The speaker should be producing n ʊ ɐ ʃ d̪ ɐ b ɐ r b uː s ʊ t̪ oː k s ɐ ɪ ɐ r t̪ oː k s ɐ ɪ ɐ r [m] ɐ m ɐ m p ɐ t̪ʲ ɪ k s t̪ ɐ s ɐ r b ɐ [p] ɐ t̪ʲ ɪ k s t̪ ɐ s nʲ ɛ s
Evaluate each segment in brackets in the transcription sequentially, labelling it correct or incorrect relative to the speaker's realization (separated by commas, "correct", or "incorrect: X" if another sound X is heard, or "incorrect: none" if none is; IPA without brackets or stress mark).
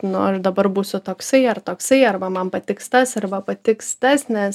incorrect: b, correct